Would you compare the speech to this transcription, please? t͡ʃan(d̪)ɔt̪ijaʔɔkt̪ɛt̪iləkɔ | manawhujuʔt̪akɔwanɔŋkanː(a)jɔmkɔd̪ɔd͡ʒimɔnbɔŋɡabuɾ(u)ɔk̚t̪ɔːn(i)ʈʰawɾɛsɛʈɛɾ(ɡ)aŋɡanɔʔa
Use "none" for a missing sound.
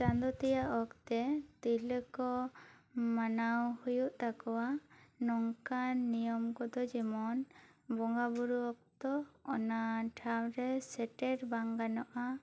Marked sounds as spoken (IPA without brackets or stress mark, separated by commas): d̪, i, u, a, b